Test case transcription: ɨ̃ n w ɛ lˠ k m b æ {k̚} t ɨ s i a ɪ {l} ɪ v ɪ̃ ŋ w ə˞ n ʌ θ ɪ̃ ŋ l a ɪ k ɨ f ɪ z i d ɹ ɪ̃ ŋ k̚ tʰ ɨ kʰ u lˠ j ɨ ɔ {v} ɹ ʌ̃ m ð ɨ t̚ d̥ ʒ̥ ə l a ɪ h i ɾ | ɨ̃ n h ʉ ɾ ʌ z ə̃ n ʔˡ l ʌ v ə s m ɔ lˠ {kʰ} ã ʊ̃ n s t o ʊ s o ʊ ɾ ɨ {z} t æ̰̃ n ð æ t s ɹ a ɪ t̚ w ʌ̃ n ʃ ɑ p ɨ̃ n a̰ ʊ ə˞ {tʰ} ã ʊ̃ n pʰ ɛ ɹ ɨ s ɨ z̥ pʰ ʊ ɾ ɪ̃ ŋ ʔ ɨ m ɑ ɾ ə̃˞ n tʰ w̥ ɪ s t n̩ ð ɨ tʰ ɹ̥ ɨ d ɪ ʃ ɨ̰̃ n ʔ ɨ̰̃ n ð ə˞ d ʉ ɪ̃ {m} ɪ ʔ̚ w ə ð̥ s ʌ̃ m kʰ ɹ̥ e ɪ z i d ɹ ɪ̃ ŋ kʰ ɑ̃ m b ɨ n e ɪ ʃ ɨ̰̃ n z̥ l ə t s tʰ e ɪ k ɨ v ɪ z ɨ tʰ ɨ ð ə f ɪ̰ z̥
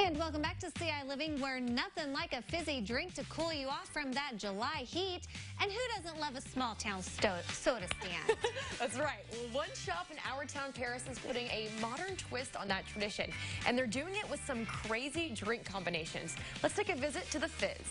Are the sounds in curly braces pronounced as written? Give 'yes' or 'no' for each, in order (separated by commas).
yes, yes, no, no, no, yes, no